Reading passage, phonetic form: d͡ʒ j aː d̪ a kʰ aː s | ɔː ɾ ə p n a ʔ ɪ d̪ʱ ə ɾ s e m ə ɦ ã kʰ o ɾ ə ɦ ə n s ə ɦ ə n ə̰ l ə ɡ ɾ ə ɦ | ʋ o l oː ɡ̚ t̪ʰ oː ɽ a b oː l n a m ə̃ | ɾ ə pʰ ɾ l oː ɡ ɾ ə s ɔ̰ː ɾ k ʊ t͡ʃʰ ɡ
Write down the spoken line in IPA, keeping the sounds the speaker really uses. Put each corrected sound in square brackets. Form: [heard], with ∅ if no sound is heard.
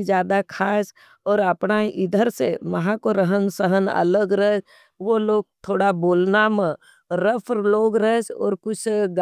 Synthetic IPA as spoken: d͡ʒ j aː d̪ a kʰ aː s | ɔː ɾ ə p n a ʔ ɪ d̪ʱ ə ɾ s e m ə ɦ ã [k] o ɾ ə ɦ ə n s ə ɦ ə n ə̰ l ə ɡ ɾ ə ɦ | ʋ o l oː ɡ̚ t̪ʰ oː ɽ a b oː l n a m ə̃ | ɾ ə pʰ ɾ l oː ɡ ɾ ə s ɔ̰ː ɾ k ʊ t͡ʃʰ ɡ